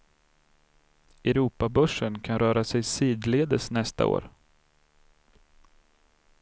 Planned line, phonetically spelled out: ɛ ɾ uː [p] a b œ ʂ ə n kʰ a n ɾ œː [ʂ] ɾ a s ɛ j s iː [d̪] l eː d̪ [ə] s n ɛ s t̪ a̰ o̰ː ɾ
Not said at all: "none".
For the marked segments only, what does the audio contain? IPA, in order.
p, none, d̪, ə

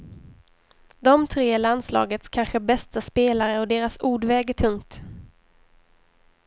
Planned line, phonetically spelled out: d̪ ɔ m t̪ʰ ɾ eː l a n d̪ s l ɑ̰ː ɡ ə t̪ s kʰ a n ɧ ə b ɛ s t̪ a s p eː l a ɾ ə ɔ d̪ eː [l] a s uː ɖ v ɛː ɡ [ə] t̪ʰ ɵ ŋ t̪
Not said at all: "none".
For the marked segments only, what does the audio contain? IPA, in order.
ɾ, ə

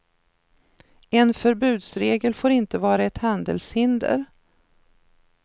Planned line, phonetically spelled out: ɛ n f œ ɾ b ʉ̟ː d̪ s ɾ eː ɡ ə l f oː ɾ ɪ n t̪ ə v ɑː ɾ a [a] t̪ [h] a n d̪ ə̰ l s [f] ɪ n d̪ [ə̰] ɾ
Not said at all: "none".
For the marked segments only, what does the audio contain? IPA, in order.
ɛ, h, h, ə̰

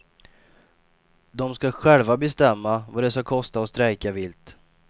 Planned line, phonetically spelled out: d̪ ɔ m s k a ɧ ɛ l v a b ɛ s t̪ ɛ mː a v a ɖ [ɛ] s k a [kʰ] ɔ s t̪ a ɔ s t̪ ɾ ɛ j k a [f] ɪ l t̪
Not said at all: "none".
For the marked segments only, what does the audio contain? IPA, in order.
ɛ, kʰ, v

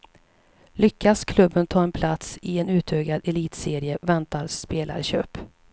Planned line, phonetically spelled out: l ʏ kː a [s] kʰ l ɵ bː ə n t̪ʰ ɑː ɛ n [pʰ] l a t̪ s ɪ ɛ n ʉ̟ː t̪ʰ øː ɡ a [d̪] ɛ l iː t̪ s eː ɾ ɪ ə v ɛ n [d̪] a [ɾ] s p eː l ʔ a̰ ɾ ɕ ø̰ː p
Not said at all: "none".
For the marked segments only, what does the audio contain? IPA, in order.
s, pʰ, d̪, t̪, ɾ

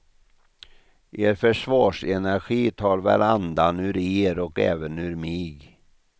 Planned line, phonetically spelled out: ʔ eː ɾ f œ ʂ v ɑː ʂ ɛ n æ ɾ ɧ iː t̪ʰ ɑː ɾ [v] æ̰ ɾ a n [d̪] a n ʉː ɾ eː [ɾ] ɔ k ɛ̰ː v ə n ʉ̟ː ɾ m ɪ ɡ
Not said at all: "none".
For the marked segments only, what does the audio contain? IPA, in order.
v, d̪, ɾ

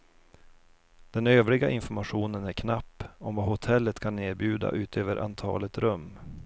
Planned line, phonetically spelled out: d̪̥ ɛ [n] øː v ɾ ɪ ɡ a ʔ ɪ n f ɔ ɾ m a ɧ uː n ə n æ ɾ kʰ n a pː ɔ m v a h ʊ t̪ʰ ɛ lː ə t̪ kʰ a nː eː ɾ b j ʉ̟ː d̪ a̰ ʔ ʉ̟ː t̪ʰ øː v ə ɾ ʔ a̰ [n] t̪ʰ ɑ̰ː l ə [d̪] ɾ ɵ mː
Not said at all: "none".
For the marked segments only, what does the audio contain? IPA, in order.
n, n, t̪

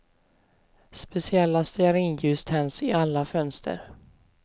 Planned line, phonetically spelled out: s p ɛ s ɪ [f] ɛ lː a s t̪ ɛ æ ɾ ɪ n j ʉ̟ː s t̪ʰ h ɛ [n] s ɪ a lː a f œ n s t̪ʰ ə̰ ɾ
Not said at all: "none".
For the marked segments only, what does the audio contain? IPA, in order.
none, n

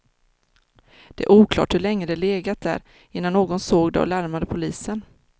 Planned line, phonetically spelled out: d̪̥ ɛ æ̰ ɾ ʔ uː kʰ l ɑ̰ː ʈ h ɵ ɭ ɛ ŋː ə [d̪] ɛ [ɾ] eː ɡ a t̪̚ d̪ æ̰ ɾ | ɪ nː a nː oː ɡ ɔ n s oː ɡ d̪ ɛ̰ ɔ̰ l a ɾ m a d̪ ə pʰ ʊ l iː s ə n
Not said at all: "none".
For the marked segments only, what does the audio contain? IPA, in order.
d̪, l

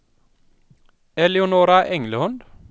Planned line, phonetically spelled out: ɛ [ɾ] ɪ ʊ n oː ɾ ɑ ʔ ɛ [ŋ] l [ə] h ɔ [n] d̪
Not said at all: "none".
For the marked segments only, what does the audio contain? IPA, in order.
l, ŋ, ə, n

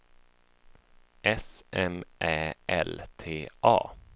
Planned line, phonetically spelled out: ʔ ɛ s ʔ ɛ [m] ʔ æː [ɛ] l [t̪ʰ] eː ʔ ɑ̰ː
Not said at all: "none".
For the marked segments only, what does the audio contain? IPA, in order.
m, ɛ, t̪ʰ

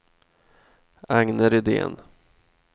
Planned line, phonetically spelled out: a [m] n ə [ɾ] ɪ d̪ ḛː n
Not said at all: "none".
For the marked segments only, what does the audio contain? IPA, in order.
ŋ, ɾ

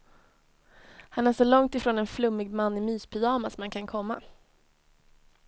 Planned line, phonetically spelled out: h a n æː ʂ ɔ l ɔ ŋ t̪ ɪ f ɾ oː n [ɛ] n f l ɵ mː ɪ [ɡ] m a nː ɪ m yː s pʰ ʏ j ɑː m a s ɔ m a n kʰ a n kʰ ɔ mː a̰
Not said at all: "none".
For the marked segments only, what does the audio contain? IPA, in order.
ɛ, ɡ

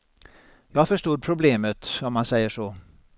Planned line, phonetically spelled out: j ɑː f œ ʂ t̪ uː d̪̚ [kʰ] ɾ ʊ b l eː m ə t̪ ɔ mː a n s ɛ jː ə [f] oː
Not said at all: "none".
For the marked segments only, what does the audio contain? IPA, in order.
pʰ, ʂ

